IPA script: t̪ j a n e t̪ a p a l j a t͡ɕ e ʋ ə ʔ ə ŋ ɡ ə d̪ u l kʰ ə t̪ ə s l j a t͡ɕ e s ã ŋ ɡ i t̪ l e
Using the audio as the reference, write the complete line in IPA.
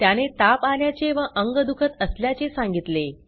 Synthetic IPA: t̪ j a n e t̪ a p a l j a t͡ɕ e ʋ ə ʔ ə ŋ ɡ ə d̪ u kʰ ə t̪ ə s l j a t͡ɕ e s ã ŋ ɡ i t̪ l e